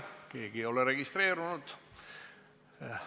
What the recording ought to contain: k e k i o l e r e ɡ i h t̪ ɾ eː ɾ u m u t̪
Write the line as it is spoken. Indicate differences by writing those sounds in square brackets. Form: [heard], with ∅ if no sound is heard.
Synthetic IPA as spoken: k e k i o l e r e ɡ i [s] t̪ ɾ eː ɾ u [n] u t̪